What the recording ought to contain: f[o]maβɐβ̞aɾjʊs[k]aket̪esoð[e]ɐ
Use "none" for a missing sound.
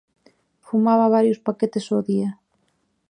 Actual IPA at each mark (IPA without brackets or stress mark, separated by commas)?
u, p, i